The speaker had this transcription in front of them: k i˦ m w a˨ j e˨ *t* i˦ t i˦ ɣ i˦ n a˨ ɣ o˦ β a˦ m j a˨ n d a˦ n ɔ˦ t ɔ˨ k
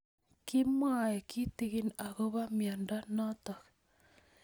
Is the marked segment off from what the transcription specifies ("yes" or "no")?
yes